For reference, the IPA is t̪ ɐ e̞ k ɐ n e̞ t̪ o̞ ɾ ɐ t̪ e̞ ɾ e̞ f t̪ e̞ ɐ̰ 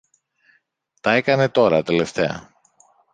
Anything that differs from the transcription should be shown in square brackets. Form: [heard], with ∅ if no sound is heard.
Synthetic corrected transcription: t̪ ɐ e̞ k ɐ n e̞ t̪ o̞ ɾ ɐ t̪ e̞ [l] e̞ f t̪ e̞ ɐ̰